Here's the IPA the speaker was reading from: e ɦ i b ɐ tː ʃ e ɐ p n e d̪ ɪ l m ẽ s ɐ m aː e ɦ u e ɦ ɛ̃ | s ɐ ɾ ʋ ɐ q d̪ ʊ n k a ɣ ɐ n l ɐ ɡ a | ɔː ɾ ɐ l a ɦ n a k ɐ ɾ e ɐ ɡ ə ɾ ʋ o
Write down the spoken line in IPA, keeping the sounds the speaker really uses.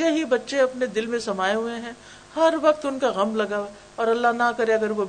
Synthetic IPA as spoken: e ɦ i b ɐ tː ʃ e ɐ p n e d̪ ɪ l m ẽ s ɐ m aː e ɦ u e ɦ ɛ̃ | h ɐ ɾ ʋ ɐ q t̪ ʊ n k a ɣ ɐ m l ɐ ɡ a | ɔː ɾ ɐ lː a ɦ n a k ɐ ɾ e ɐ ɡ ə ɾ ʋ o